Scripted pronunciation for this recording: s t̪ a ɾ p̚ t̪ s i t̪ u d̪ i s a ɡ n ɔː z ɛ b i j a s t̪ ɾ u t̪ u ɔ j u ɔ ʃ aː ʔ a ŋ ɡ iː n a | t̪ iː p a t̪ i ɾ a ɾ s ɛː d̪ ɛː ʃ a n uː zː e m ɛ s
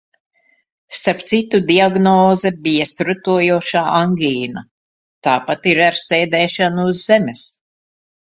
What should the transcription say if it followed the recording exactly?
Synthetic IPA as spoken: s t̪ a ɾ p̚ t̪ s i t̪ u d̪ i a ɡ n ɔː z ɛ b i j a s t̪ ɾ u t̪ u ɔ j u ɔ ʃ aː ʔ a ŋ ɡ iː n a | t̪ aː p a t̪ i ɾ a ɾ s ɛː d̪ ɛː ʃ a n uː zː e m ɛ s